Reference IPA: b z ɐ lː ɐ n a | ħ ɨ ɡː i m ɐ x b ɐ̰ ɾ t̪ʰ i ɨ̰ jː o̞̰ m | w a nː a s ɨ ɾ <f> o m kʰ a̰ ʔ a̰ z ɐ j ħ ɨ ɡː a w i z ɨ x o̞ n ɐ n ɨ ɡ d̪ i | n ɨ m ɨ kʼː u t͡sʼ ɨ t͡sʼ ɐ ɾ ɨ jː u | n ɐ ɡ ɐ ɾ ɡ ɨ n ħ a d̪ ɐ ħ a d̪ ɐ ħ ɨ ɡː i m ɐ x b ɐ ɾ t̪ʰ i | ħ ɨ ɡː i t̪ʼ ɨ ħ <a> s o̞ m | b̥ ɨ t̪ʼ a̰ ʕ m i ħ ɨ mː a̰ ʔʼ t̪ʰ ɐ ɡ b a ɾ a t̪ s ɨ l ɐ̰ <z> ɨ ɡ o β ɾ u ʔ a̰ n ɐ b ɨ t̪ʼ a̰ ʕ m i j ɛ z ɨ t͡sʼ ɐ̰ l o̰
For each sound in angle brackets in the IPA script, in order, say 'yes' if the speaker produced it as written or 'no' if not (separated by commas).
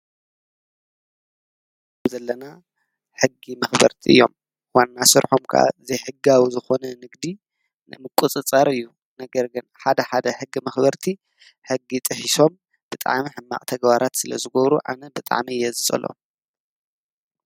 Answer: no, no, yes